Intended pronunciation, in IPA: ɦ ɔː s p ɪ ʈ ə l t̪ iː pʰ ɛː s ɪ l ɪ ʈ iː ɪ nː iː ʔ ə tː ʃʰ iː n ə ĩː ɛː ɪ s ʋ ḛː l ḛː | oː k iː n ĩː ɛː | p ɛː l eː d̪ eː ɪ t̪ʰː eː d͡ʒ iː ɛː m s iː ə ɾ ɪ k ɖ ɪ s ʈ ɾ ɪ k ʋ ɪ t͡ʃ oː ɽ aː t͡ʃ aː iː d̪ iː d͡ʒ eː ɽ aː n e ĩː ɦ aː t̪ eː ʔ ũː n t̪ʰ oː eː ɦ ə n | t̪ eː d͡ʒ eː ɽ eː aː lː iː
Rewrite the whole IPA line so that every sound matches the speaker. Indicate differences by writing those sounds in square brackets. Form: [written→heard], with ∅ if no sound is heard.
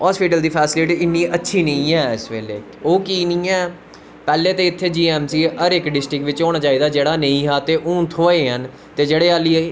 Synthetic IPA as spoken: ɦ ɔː s p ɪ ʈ ə l [t̪→d̪] iː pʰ ɛː s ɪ l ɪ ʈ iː ɪ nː iː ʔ ə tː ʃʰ iː n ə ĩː ɛː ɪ s ʋ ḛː l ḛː | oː k iː n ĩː ɛː | p ɛː l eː [d̪→t̪] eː ɪ t̪ʰː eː d͡ʒ iː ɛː m s iː ə ɾ ɪ k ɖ ɪ s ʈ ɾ ɪ k ʋ ɪ t͡ʃ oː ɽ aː t͡ʃ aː iː d̪ [iː→aː] d͡ʒ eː ɽ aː n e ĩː ɦ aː t̪ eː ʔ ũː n t̪ʰ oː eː ɦ ə n | t̪ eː d͡ʒ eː ɽ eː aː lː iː